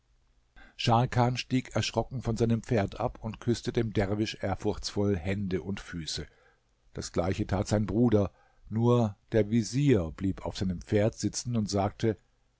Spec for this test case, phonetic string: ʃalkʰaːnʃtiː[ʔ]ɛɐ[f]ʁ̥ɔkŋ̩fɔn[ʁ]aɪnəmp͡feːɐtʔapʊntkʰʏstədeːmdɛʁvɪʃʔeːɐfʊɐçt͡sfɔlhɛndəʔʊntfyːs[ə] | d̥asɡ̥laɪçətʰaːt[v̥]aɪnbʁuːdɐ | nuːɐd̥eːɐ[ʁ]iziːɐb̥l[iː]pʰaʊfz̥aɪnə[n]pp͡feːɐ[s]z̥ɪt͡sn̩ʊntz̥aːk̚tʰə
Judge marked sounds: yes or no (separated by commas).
no, no, no, yes, no, no, yes, no, no